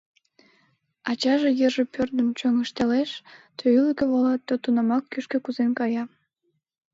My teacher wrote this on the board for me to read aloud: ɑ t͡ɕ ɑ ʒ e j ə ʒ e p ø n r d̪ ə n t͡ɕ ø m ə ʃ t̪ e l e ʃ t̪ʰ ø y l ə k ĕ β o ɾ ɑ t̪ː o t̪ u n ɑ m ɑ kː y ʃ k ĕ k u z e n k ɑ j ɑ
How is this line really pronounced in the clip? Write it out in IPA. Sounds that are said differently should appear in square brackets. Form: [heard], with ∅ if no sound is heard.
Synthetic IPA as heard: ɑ t͡ɕ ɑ ʒ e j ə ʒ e p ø [∅] r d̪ ə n t͡ɕ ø [ŋ] ə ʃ t̪ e l e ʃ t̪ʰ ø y l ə k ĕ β o [l] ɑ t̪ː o t̪ u n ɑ m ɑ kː y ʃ k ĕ k u z e n k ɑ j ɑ

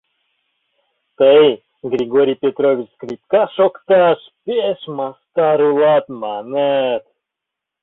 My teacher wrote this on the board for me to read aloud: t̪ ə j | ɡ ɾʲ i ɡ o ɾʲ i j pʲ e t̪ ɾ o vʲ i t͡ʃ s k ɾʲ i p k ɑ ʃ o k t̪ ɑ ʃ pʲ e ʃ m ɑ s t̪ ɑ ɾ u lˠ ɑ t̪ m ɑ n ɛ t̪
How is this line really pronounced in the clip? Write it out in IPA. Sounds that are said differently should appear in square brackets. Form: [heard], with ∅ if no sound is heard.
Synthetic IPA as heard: t̪ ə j | ɡ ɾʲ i ɡ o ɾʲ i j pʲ e t̪ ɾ o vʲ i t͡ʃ s k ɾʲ i p k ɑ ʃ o k t̪ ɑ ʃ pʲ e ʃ m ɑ s t̪ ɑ ɾ u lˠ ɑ t̪ m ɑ n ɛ t̪

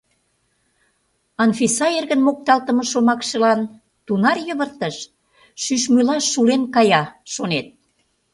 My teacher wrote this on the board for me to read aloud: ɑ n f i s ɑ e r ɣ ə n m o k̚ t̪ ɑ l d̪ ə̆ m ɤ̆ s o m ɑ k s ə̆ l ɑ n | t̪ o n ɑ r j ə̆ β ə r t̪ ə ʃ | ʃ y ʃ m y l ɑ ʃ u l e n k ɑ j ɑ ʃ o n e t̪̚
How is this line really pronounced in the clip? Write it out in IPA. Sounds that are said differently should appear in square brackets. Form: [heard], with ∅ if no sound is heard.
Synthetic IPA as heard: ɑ n f i s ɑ e r ɣ ə n m o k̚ t̪ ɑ l [t̪] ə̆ m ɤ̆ [ʃ] o m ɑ k [ʃ] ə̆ l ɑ n | t̪ [u] n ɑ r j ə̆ β ə r t̪ ə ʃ | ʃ y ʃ m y l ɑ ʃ u l e n k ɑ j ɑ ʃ o n e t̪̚

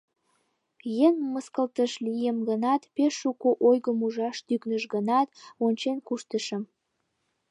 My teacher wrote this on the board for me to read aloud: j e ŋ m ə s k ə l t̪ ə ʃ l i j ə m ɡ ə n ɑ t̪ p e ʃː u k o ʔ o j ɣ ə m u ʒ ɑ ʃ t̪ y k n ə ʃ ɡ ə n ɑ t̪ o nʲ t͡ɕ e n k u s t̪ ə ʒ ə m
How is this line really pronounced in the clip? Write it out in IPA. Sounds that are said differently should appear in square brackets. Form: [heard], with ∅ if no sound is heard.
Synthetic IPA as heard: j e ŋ m ə s k ə l t̪ ə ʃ l i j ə m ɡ ə n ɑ t̪ p e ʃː u k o ʔ o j ɣ ə m u ʒ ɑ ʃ t̪ y k n ə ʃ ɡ ə n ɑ t̪ o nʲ t͡ɕ e n k u [ʃ] t̪ ə [ʃ] ə m

